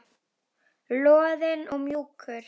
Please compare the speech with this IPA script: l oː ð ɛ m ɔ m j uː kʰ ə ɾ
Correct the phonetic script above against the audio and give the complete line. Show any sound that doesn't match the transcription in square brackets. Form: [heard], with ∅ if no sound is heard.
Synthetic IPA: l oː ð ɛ [n] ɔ m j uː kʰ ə ɾ